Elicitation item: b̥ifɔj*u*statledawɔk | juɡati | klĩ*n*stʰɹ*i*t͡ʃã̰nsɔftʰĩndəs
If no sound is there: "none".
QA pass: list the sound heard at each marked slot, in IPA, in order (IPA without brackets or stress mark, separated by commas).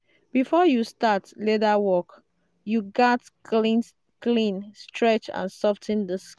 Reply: u, n, ɛ